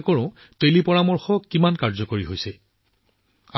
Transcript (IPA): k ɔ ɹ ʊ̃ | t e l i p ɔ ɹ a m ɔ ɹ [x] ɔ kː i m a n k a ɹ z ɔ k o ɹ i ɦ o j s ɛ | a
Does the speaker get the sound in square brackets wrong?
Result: no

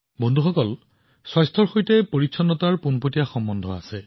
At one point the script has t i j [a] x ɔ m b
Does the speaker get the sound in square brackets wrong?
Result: no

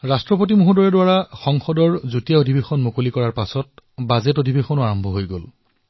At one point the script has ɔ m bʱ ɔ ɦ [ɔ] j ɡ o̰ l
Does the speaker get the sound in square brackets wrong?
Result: yes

